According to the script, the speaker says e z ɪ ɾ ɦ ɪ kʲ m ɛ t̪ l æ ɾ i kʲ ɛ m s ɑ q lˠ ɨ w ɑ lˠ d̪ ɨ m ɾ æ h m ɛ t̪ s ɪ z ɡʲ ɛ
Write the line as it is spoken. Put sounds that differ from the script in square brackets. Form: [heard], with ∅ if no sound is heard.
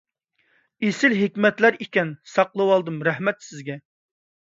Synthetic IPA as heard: e [s] ɪ [l] ɦ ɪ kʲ m ɛ t̪ l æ ɾ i kʲ ɛ [n] s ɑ q lˠ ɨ w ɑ lˠ d̪ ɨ m ɾ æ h m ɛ t̪ s ɪ z ɡʲ ɛ

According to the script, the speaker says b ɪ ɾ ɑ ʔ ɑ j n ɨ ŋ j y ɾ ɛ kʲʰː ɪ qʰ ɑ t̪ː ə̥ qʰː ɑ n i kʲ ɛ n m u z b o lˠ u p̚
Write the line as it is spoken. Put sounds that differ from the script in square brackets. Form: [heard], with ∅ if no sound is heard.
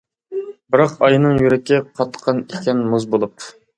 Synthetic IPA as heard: b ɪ ɾ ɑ [q] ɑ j n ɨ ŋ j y ɾ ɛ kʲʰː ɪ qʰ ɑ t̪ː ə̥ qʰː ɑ n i kʲ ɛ n m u z b o lˠ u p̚

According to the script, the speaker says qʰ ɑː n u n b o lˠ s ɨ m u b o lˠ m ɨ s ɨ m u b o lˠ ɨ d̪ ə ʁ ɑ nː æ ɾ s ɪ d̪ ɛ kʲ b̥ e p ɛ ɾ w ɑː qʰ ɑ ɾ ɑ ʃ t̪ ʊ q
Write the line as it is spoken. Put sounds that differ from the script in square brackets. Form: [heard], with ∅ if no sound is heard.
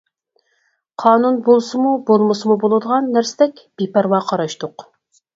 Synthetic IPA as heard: qʰ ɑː n u n b o lˠ s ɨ m u b o lˠ m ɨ s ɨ m u b o lˠ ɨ d̪ ə ʁ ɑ nː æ ɾ s ɪ d̪ ɛ kʲ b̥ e p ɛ ɾ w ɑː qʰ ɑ ɾ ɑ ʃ t̪ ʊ q

